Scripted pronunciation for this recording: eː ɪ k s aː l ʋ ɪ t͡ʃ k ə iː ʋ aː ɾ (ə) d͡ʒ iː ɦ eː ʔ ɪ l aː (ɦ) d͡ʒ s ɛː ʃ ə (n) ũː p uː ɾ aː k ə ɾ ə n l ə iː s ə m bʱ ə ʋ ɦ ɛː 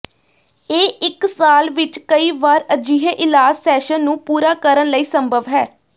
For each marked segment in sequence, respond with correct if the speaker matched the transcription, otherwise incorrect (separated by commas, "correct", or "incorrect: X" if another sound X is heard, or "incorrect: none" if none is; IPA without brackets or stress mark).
correct, incorrect: none, incorrect: nː